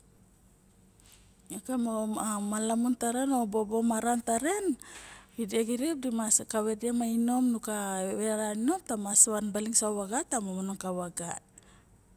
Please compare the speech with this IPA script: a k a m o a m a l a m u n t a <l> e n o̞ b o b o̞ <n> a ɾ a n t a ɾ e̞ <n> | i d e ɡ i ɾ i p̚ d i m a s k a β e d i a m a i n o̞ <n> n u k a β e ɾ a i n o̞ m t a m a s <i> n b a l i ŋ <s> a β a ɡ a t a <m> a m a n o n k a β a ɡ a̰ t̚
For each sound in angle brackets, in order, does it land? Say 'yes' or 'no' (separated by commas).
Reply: no, no, yes, no, no, yes, yes